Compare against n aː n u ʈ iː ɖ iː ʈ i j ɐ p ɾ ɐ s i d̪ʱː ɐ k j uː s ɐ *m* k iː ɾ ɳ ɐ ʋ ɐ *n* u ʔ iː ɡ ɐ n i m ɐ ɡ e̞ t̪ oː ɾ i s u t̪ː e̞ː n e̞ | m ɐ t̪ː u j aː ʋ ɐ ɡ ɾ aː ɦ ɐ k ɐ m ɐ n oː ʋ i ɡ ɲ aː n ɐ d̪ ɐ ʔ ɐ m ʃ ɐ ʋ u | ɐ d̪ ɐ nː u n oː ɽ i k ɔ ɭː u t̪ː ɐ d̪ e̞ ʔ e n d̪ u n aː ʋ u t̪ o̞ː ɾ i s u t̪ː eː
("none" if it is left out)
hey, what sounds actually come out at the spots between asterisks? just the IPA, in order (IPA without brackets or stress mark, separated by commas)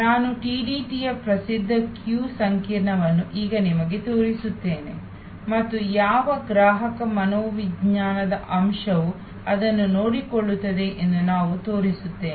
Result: ŋ, nː